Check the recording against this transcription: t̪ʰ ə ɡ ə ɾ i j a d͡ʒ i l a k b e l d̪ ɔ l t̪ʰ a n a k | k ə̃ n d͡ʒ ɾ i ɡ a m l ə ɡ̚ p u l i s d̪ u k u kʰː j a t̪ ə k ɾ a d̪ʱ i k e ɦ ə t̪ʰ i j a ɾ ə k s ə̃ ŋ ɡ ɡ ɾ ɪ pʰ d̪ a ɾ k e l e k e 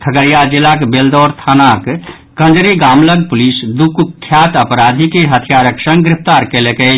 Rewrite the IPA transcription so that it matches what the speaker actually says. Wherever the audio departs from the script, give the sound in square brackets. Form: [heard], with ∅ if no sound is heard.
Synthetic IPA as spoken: t̪ʰ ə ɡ ə ɾ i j a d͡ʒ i l a k b e l d̪ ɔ [ɾ] t̪ʰ a n a k | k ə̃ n d͡ʒ ɾ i ɡ a m l ə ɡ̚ p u l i s d̪ u k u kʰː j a t̪ ə [p] ɾ a d̪ʱ i k e ɦ ə t̪ʰ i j a ɾ ə k s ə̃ ŋ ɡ ɡ ɾ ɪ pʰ [t̪] a ɾ k e l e k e